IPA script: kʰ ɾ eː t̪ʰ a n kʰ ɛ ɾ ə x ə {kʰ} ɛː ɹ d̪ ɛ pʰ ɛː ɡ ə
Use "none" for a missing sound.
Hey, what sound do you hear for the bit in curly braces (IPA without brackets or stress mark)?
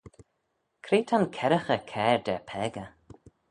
kʰ